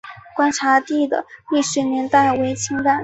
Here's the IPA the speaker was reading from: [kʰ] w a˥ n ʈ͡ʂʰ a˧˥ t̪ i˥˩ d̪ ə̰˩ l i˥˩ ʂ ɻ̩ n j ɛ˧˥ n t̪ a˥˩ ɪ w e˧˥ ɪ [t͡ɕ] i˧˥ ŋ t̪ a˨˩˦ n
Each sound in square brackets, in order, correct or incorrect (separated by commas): incorrect, incorrect